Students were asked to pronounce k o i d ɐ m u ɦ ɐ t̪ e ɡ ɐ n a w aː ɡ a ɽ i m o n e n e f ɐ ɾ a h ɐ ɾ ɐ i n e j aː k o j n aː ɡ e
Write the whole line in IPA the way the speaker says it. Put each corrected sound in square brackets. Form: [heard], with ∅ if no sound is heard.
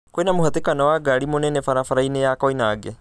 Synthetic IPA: k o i [n] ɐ m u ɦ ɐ t̪ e [k] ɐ n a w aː ɡ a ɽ i m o n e n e f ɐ ɾ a [f] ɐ ɾ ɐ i n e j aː k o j n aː ɡ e